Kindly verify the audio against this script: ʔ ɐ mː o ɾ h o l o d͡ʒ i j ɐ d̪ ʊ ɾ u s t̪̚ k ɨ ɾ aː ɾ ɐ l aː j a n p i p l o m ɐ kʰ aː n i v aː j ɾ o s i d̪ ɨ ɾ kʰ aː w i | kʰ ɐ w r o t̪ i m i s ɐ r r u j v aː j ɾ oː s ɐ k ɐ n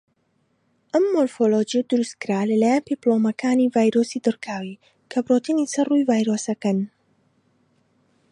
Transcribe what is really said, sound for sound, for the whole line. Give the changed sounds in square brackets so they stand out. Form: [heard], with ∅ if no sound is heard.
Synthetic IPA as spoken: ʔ ɐ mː o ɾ [f] o l o d͡ʒ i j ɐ d̪ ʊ ɾ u s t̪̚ k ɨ ɾ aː [l] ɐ l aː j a n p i p l o m ɐ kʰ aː n i v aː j ɾ o s i d̪ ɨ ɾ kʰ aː w i | kʰ ɐ [b] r o t̪ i [n] i s ɐ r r u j v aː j ɾ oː s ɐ k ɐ n